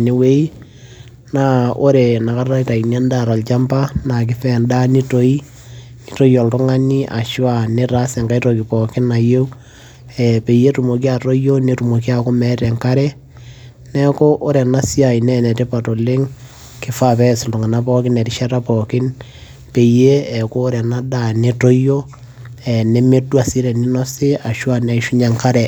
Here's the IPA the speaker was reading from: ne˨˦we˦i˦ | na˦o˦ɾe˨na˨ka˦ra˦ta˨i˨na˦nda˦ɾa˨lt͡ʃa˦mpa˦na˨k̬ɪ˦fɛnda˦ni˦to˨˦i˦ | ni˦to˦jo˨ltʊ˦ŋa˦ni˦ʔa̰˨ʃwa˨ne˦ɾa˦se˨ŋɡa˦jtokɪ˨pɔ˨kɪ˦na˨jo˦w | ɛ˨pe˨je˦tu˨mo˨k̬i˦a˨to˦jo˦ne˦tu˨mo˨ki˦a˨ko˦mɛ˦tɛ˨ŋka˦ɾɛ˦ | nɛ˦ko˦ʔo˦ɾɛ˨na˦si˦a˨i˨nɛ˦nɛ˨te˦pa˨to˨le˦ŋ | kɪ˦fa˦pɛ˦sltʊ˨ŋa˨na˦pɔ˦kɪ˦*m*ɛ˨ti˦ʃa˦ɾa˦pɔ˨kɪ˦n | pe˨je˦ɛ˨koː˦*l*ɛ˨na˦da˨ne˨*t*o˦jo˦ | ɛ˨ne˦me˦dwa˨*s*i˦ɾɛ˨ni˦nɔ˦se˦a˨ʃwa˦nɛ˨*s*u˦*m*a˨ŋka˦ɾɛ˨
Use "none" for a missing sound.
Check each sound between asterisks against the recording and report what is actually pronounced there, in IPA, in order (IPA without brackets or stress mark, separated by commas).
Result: n, ɾ, t, s, ʃ, ɲ